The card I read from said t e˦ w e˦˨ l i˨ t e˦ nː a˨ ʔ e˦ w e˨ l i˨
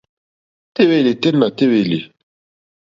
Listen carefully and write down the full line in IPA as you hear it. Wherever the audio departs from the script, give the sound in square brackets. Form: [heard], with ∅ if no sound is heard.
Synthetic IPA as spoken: t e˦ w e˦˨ l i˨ t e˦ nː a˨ [t] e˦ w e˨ l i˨